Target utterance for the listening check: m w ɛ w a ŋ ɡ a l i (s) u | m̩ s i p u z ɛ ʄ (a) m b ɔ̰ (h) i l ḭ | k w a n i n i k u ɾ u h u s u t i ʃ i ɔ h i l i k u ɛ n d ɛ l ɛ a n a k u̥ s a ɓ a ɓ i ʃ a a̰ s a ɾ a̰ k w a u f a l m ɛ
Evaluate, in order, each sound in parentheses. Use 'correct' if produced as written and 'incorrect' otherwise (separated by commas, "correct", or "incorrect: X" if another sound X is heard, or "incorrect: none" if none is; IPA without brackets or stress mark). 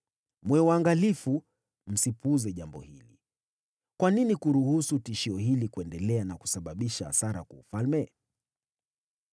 incorrect: f, correct, correct